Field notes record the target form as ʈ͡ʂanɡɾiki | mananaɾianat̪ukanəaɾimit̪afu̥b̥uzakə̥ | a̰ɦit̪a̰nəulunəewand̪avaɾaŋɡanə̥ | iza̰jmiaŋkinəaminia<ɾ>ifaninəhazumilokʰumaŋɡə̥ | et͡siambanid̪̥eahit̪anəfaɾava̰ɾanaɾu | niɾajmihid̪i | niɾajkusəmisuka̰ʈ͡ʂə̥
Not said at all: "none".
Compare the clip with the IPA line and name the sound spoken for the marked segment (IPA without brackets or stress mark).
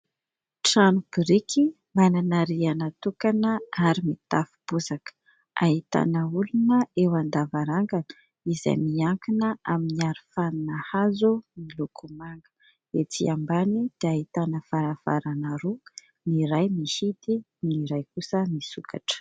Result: ɾ